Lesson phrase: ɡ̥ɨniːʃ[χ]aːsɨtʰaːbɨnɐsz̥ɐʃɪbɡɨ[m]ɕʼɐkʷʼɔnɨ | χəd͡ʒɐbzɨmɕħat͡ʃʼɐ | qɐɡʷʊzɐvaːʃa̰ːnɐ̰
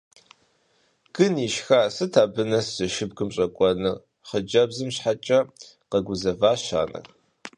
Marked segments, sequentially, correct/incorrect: incorrect: x, correct

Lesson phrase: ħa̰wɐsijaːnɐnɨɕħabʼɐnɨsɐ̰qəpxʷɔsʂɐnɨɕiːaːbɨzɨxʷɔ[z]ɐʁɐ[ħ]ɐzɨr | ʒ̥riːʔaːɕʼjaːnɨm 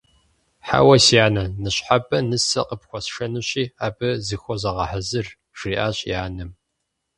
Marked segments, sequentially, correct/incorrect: correct, correct

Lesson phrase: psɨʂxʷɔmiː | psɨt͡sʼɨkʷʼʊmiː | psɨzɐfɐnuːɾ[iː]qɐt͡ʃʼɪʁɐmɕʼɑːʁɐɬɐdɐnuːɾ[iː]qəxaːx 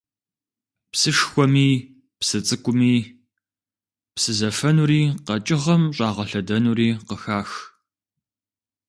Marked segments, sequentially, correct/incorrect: correct, correct

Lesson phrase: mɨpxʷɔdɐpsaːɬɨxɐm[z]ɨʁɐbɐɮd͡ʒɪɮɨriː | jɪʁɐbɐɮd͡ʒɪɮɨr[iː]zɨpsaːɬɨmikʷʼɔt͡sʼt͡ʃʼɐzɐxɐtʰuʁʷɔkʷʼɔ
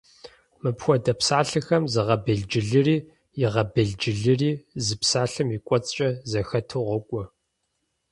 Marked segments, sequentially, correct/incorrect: correct, correct

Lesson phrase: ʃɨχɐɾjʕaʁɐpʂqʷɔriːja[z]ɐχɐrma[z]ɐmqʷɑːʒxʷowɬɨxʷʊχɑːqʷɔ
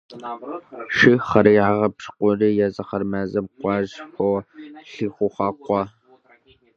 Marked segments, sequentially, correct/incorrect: correct, correct

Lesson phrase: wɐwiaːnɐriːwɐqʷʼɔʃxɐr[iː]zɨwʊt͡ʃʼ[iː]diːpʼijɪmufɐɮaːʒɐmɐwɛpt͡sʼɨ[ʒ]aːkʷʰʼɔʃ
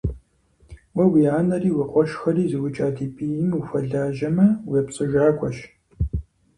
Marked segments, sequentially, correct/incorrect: correct, incorrect: aː, correct

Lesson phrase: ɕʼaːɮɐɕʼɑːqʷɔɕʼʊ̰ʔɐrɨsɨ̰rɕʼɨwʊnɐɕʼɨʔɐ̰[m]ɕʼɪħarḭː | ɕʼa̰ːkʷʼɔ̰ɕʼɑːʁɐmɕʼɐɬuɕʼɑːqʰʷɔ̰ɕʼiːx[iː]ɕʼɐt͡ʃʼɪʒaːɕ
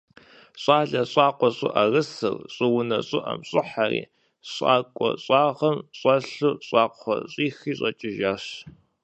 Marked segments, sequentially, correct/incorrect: correct, correct

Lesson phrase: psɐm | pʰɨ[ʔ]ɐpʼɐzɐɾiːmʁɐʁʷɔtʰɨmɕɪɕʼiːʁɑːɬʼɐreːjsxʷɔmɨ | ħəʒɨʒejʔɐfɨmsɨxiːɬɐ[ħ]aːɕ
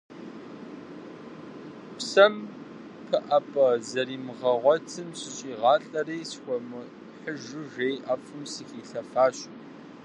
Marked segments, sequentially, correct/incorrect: correct, incorrect: f

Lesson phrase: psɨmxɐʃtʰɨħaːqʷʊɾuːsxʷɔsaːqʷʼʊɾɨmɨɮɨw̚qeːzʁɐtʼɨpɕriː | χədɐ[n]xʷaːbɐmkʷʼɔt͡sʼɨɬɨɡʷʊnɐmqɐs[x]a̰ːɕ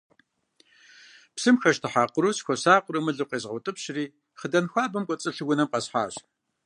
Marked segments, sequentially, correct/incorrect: correct, incorrect: ħ

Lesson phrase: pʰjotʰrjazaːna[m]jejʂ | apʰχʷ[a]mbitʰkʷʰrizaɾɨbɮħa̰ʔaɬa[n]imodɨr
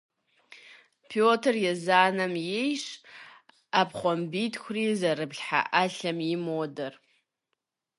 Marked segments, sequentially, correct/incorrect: correct, correct, incorrect: m

